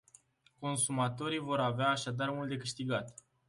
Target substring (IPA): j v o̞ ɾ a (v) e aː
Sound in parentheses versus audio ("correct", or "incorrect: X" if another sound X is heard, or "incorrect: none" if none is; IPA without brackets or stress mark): correct